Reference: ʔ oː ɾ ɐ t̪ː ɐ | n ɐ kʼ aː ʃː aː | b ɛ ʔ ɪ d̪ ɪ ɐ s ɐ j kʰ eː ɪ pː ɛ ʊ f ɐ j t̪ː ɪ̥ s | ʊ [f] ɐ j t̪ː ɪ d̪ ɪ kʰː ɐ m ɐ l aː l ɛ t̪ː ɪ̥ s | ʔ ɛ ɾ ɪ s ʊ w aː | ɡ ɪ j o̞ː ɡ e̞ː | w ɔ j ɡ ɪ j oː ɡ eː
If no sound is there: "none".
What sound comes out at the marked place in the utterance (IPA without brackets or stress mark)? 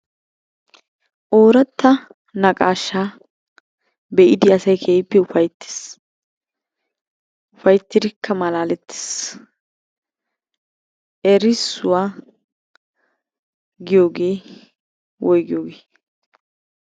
f